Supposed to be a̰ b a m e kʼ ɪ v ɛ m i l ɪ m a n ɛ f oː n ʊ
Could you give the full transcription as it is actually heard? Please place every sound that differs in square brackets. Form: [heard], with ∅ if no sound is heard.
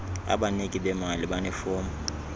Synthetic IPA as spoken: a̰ b a [n] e kʼ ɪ [b] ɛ m [a] l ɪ [b] a n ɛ f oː [m] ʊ